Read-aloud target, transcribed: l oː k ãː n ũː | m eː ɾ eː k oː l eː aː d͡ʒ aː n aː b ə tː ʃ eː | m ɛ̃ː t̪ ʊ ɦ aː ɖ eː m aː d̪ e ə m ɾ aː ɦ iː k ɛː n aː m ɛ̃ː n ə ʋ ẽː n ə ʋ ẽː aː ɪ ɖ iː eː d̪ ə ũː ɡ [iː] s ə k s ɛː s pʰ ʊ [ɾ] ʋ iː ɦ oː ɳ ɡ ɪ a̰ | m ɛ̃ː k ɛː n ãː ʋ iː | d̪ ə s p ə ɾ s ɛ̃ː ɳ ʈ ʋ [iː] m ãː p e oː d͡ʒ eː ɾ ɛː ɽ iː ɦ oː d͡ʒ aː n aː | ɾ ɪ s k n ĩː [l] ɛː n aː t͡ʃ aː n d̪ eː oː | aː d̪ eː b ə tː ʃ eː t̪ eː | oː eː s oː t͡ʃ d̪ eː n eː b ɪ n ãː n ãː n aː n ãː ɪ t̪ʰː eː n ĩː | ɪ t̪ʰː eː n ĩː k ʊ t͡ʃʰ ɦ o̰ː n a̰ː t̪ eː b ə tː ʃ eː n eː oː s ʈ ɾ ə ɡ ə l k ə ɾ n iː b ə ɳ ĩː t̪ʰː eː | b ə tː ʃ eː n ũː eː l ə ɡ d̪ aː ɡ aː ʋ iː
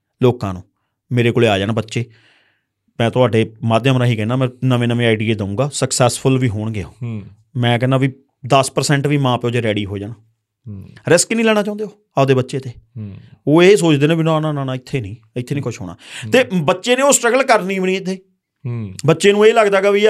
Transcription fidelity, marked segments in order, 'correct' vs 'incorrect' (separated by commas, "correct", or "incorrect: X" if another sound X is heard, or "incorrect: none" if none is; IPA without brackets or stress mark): incorrect: aː, incorrect: l, correct, correct